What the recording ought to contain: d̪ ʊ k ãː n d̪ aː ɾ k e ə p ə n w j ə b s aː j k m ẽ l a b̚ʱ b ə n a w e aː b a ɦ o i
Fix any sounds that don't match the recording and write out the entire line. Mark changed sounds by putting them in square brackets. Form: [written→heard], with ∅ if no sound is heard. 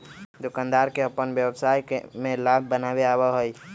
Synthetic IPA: d̪ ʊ k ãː n d̪ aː ɾ k e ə p ə n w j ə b s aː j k m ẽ l a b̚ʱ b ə n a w e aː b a ɦ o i